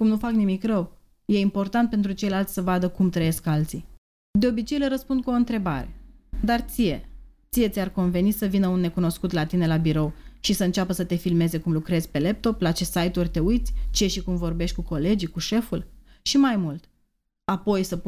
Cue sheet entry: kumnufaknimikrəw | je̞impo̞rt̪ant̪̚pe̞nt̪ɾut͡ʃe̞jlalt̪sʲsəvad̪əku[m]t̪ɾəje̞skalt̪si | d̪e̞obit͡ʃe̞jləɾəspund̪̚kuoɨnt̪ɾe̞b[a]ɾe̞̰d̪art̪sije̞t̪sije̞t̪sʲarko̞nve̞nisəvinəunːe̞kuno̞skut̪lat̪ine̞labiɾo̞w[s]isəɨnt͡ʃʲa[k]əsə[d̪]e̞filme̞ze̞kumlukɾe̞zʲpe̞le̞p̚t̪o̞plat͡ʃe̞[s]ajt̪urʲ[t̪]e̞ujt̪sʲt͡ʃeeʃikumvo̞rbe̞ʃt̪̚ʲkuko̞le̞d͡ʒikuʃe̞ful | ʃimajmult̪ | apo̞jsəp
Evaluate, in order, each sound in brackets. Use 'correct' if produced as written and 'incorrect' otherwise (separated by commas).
correct, correct, incorrect, incorrect, incorrect, correct, correct